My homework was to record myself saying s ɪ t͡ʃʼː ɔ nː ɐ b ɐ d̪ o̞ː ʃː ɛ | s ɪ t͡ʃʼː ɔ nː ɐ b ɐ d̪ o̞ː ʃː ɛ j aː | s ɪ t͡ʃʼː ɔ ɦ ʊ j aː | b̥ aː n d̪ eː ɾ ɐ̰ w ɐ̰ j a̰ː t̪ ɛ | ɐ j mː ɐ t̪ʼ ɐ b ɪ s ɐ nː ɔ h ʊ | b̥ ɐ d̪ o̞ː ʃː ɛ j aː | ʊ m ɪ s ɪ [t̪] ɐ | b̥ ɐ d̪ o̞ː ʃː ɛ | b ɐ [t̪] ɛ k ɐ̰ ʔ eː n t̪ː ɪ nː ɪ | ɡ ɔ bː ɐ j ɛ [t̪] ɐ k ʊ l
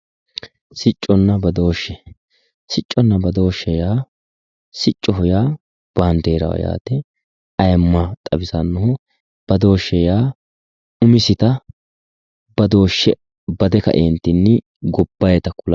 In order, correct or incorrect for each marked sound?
correct, incorrect: d̪, correct

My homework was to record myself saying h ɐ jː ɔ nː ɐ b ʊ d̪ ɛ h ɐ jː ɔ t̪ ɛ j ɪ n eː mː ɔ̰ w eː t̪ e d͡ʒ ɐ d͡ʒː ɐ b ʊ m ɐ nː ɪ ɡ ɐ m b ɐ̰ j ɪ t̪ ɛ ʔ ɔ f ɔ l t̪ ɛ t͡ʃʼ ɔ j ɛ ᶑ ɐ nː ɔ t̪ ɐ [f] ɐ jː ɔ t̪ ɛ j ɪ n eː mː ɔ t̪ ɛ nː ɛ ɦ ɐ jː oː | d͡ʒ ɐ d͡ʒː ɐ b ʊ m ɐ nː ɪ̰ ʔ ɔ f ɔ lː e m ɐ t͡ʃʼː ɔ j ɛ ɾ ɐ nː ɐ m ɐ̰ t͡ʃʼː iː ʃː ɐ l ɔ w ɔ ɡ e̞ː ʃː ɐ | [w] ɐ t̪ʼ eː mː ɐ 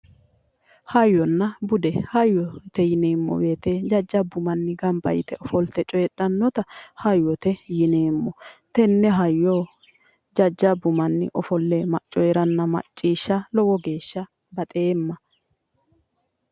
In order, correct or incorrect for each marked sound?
incorrect: h, incorrect: b

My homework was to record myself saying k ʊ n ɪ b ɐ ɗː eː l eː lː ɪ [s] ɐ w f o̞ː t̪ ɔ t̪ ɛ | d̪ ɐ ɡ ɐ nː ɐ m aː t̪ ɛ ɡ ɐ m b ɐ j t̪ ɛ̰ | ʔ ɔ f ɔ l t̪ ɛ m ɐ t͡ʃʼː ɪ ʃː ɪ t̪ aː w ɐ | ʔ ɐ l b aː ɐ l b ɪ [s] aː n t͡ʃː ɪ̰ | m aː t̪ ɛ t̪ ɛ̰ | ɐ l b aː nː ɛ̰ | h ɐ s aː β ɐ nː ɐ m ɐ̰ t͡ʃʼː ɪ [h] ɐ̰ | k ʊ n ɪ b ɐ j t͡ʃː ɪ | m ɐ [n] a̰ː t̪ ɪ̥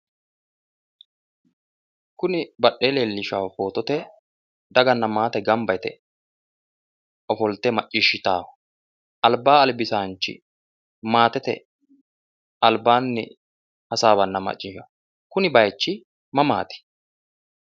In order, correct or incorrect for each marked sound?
incorrect: ʃ, correct, incorrect: ʃ, incorrect: m

